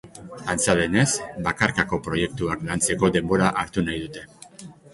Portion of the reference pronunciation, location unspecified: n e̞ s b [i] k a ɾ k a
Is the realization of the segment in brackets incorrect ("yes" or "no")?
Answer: yes